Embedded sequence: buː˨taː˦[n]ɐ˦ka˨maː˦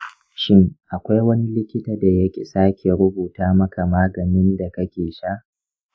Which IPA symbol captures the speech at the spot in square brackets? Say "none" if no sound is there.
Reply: m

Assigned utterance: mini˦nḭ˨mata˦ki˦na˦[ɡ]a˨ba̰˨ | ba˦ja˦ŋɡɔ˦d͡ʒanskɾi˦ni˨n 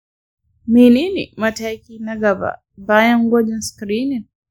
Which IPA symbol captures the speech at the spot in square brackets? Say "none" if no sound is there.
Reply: ɡ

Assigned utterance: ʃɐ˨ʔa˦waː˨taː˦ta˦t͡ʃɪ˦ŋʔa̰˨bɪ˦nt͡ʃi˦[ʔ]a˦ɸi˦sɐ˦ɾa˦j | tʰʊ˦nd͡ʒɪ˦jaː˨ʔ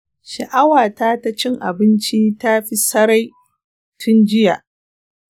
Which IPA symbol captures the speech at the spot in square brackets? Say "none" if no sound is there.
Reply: t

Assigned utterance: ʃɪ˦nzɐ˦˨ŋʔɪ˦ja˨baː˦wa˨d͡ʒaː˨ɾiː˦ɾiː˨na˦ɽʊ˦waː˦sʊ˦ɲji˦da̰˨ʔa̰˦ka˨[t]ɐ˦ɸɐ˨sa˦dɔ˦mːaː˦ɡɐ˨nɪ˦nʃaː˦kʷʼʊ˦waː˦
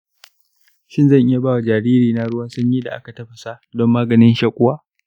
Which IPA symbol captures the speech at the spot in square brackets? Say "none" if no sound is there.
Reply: t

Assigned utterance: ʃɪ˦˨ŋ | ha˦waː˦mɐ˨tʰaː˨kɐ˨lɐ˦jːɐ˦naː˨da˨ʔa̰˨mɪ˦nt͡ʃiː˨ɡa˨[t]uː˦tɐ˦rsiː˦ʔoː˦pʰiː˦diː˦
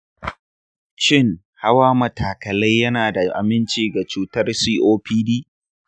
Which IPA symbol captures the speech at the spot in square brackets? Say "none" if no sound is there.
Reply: t͡ʃ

